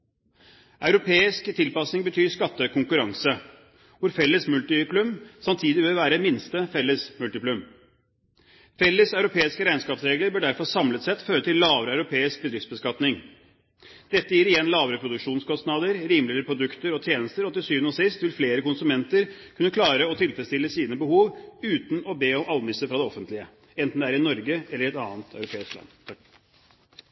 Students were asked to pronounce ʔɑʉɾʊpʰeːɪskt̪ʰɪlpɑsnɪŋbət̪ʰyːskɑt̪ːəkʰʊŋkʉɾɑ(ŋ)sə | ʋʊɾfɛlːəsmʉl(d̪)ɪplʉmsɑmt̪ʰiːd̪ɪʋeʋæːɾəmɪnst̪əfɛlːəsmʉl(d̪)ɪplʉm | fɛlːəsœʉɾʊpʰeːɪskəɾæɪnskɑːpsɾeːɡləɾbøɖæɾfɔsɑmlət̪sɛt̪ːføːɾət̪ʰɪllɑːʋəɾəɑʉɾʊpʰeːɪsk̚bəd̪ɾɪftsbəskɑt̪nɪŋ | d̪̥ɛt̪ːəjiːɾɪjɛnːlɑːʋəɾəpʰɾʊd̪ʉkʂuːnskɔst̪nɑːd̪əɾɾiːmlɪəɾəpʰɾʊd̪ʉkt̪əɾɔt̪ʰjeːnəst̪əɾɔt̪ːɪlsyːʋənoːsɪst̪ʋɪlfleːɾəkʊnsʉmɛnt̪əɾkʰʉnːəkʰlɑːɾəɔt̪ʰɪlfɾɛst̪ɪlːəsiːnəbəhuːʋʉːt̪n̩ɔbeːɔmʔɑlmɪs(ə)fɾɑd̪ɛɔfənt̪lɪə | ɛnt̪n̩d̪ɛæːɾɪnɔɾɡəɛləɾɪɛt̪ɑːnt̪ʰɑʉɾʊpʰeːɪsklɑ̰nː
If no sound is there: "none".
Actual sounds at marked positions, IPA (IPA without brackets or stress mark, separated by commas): ŋ, t̪, t̪, ə